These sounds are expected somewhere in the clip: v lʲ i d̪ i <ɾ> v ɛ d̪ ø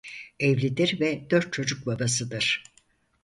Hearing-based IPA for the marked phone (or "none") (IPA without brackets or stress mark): ɾ